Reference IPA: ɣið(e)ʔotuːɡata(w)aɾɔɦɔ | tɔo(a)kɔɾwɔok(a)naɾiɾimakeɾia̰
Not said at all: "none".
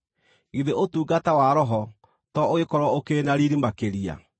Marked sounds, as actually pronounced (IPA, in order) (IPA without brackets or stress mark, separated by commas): e, w, e, e